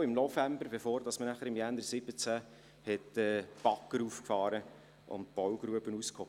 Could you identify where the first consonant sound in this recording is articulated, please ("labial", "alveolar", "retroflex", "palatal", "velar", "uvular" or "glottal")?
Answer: labial